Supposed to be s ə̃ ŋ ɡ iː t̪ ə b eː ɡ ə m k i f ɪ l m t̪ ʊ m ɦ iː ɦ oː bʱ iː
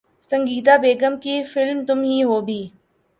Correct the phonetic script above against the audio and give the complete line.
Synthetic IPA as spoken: s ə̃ ŋ ɡ iː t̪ a b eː ɡ ə m k i f ɪ l m t̪ ʊ m ɦ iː ɦ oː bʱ iː